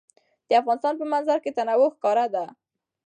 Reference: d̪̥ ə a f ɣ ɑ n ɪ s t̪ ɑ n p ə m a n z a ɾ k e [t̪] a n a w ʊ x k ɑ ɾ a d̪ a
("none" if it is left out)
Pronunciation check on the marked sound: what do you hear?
t̪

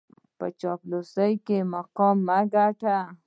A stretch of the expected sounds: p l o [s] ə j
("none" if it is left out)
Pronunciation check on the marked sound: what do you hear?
s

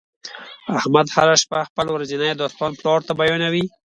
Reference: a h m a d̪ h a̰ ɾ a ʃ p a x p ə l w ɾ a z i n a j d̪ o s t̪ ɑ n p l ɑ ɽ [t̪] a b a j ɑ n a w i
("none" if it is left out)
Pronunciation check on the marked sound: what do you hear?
t̪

